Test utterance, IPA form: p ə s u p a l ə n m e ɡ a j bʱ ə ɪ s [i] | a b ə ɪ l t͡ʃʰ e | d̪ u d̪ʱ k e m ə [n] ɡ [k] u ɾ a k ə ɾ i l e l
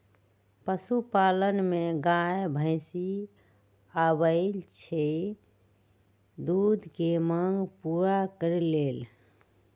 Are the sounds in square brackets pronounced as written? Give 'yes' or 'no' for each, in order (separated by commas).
yes, no, no